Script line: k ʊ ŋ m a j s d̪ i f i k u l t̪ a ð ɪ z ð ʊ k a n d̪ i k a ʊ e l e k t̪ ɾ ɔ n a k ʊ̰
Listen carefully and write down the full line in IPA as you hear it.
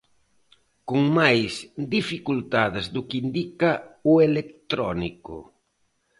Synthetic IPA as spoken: k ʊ ŋ m a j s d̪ i f i k u l t̪ a ð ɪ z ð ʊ k i n d̪ i k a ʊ e l e k t̪ ɾ ɔ n i k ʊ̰

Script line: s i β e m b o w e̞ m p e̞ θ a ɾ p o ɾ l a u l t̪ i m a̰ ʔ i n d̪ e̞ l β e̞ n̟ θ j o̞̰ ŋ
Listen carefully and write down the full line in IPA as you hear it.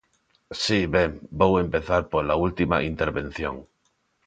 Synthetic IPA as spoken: s i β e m b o w e̞ m p e̞ θ a ɾ p o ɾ l a u l t̪ i m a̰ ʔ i n t̪ e̞ ɾ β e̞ n̟ θ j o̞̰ ŋ

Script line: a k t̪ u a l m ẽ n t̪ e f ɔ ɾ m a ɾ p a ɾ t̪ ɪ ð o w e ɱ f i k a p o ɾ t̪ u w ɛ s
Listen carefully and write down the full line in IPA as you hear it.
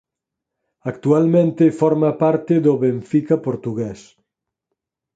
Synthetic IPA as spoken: a k t̪ u a l m ẽ n t̪ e f ɔ ɾ m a p a ɾ t̪ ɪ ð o β e ɱ f i k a p o ɾ t̪ u ɣ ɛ s

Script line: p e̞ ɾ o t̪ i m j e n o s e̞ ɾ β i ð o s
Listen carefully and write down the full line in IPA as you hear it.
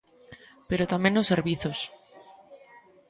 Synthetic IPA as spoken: p e̞ ɾ o t̪ a m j e n o s e̞ ɾ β i θ o s

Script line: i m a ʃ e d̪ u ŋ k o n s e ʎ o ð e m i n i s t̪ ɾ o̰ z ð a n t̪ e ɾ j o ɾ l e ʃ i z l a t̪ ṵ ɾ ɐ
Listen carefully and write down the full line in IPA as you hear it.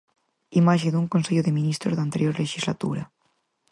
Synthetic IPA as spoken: i m a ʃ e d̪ u ŋ k o n s e ʎ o ð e m i n i s t̪ ɾ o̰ z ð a n t̪ e ɾ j o ɾ l e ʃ i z l a t̪ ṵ ɾ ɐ

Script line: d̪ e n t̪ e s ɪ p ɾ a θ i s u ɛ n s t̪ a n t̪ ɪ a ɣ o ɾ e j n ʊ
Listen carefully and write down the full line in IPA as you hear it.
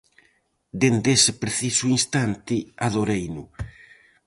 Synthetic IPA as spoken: d̪ e n d̪ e s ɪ p ɾ e θ i s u i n s t̪ a n t̪ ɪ a ð o ɾ e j n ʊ

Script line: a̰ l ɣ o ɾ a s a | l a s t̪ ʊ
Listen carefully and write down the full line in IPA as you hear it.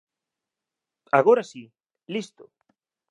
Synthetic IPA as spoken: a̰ ɣ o ɾ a s i | l i s t̪ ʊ

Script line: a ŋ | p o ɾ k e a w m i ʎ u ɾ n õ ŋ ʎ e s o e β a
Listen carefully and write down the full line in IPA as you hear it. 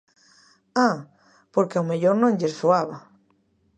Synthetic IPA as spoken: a | p o ɾ k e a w m e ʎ o ɾ n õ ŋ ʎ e s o a β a

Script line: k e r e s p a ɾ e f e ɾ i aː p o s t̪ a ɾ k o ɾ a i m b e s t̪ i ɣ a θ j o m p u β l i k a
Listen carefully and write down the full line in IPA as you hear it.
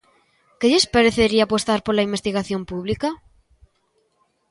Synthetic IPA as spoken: k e ʎ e s p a ɾ e θ e ɾ i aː p o s t̪ a ɾ p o l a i m b e s t̪ i ɣ a θ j o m p u β l i k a

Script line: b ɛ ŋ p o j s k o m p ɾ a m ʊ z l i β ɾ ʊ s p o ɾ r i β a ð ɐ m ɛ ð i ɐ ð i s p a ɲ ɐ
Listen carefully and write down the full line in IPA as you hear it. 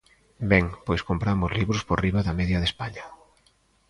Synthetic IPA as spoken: b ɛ ŋ p o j s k o m p ɾ a m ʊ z l i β ɾ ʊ s p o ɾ r i β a ð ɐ m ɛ ð j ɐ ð e s p a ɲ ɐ

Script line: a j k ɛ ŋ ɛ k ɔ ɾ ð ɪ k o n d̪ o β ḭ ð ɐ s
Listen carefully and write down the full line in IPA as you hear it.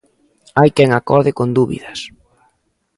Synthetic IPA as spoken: a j k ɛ ŋ a k ɔ ɾ ð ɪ k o n d̪ u β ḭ ð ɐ s

